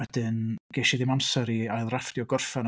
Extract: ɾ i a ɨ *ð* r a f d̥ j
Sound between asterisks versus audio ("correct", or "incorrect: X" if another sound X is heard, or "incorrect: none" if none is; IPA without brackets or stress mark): correct